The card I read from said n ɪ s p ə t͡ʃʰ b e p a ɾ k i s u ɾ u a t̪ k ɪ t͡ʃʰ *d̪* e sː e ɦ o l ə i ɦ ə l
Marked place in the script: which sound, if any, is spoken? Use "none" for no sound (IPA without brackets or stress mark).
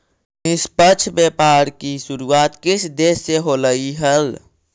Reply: d̪